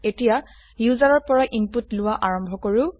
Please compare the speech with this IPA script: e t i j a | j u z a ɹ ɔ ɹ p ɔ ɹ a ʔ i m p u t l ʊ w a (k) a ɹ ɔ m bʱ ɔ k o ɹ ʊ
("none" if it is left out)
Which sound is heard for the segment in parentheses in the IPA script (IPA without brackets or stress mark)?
ʔ